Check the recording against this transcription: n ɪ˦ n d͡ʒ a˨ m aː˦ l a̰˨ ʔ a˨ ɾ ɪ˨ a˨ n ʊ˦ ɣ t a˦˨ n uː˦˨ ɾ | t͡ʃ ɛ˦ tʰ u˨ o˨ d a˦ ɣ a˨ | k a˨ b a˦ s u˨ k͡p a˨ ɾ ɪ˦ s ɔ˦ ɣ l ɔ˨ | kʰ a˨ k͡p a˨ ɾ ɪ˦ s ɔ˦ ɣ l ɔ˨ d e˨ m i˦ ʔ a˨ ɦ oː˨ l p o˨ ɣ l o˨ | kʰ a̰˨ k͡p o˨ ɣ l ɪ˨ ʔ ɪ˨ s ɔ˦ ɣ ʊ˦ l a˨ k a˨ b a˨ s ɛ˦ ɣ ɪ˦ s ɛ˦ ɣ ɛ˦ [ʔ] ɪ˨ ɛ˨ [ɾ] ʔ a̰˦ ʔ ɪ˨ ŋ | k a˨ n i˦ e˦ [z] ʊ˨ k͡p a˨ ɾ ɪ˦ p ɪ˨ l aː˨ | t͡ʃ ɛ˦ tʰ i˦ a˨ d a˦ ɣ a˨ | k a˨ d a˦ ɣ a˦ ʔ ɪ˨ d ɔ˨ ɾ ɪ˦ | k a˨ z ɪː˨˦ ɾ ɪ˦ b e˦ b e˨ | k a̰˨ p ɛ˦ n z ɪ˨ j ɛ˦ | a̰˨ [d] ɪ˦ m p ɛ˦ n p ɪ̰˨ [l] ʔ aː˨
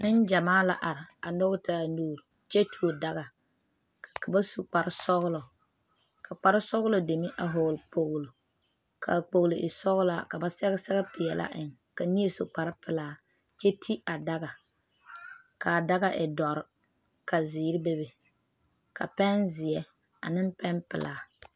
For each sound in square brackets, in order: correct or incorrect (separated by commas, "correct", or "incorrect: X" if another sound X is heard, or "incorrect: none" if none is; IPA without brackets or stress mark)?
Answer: incorrect: p, incorrect: l, incorrect: s, incorrect: n, correct